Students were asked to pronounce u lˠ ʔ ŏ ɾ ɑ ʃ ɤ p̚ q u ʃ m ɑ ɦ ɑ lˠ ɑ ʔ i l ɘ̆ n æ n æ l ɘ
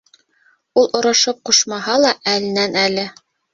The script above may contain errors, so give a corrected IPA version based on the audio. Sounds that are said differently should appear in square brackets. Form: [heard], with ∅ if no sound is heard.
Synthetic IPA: u lˠ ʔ ŏ ɾ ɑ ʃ ɤ p̚ q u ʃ m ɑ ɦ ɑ lˠ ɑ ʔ [æ] l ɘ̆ n æ n æ l ɘ